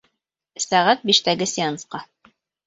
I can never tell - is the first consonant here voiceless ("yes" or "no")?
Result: yes